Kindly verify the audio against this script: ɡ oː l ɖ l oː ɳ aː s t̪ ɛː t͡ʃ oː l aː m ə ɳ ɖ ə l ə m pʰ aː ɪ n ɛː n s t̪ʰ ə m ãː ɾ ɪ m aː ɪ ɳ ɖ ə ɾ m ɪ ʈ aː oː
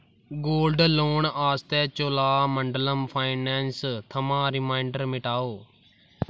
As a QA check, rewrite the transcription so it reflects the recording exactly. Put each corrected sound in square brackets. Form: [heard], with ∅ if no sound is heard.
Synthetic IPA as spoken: ɡ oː l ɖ l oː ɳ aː s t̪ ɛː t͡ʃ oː l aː m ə ɳ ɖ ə l ə m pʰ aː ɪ n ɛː n s t̪ʰ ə m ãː ɾ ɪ m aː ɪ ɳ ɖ ə ɾ m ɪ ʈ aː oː